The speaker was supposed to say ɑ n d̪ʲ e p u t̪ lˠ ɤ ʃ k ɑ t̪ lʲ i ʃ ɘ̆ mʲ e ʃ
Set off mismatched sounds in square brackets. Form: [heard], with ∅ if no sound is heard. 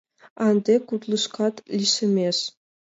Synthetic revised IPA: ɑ n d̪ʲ e [k] u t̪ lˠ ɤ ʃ k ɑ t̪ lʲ i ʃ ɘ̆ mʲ e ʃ